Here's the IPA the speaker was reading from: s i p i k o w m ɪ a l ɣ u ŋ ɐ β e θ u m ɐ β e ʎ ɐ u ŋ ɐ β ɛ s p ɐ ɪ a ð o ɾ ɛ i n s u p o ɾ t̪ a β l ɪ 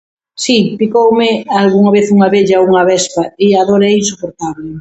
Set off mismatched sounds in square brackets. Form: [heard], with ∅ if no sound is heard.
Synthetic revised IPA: s i p i k o w m ɪ a l ɣ u ŋ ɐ β e θ u [ŋ] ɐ β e ʎ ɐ u ŋ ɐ β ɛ s p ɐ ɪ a ð o ɾ ɛ i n s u p o ɾ t̪ a β l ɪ